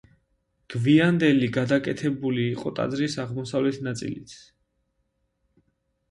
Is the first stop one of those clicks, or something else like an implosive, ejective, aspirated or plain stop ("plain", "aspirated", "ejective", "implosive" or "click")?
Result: plain